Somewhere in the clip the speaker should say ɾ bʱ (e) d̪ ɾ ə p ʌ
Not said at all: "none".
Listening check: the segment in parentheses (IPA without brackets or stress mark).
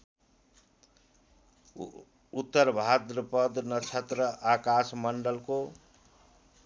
a